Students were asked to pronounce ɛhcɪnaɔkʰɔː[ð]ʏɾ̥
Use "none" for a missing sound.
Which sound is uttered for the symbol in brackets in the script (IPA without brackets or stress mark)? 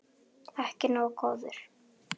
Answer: ð